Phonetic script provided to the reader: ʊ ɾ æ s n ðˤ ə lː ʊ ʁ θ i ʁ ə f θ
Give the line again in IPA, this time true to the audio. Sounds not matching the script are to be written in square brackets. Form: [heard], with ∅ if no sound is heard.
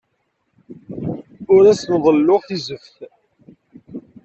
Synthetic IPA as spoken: ʊ ɾ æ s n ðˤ ə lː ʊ ʁ θ i [z] ə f θ